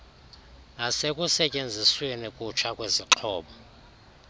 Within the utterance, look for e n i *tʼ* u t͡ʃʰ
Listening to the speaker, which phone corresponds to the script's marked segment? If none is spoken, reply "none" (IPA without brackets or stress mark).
kʼ